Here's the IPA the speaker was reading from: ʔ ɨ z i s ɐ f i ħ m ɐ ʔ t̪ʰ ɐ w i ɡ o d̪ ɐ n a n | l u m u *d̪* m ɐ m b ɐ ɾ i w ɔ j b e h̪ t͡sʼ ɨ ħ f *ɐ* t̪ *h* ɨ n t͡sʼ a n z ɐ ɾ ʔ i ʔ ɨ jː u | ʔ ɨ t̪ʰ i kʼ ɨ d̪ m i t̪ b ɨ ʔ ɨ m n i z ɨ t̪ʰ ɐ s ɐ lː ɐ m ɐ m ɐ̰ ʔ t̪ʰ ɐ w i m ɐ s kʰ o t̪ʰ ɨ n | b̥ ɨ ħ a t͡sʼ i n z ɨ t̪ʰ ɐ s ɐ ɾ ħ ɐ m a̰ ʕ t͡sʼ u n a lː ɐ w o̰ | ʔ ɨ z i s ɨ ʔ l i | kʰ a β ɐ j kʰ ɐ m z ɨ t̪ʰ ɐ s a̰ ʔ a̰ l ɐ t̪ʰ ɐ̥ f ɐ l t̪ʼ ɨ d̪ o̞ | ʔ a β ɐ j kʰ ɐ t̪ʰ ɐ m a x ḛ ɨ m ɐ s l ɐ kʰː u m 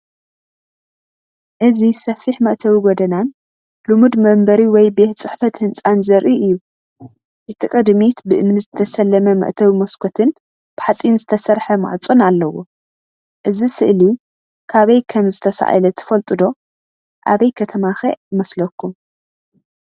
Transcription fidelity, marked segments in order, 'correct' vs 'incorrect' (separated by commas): correct, correct, correct